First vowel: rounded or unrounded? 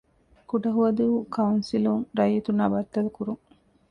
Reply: rounded